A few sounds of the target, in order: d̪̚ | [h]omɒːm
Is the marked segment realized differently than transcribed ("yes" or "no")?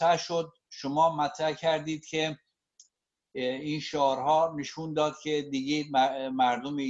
yes